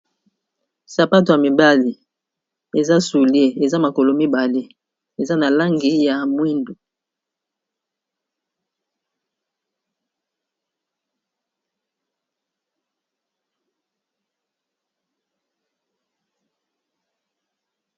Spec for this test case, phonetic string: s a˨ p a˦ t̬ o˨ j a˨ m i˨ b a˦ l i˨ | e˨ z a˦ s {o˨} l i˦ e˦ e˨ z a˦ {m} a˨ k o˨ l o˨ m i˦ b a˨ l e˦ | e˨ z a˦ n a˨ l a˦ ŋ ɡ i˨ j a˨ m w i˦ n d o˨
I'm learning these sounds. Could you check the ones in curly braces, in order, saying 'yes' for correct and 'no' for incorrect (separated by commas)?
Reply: no, yes